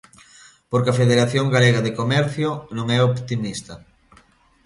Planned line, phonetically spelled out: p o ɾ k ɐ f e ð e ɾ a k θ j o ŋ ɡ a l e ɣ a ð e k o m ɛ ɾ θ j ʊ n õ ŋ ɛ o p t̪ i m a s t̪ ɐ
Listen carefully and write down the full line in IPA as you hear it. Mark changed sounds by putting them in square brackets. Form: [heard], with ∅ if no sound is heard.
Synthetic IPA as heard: p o ɾ k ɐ f e ð e ɾ a [∅] θ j o ŋ ɡ a l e ɣ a ð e k o m ɛ ɾ θ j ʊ n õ ŋ ɛ o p t̪ i m [i] s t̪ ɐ